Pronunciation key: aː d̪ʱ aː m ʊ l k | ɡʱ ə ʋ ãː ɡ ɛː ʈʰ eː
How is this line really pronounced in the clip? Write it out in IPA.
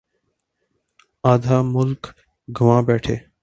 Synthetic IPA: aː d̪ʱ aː m ʊ l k | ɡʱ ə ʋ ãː b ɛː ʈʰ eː